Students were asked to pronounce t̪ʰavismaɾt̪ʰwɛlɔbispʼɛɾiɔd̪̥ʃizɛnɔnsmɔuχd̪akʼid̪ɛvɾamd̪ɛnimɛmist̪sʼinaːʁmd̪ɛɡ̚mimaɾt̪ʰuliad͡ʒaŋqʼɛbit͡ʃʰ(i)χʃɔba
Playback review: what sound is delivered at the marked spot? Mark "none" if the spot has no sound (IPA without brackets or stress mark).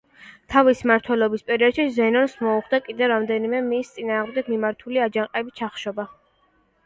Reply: a